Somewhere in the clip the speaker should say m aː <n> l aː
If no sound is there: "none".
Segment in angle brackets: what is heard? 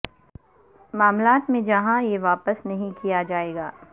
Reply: m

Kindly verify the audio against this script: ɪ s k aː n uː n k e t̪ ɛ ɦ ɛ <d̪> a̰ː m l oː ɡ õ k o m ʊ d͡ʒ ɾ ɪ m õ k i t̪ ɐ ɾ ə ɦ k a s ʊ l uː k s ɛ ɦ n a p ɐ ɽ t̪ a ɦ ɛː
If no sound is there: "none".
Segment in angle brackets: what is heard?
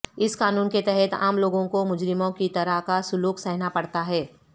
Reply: t̪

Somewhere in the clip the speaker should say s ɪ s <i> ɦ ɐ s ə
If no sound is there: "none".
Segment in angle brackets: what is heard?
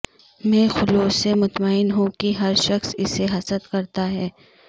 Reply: e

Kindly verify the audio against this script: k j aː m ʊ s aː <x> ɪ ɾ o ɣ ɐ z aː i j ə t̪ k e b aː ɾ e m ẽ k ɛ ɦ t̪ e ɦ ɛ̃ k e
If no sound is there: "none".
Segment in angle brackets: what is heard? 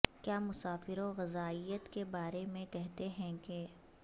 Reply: f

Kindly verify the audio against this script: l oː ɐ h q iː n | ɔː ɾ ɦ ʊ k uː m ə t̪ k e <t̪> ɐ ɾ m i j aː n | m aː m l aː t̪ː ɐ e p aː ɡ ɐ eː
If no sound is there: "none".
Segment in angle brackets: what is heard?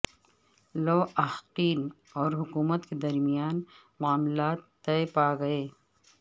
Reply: d̪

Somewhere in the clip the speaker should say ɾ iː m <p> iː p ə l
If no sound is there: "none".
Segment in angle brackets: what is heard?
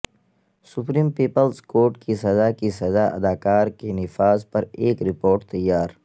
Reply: p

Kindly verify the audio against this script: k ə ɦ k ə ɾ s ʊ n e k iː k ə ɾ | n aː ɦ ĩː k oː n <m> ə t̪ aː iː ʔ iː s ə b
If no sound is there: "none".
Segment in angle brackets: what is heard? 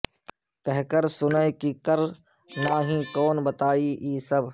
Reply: b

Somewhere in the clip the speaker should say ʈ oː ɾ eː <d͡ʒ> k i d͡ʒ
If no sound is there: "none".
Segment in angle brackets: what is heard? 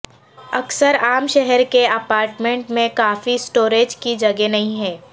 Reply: d͡ʒ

